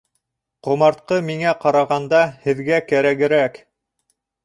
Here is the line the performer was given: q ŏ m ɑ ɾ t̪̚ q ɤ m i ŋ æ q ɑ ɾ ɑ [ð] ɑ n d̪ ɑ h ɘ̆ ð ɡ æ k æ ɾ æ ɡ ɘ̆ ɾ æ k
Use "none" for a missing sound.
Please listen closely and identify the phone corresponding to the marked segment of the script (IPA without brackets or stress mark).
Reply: ʁ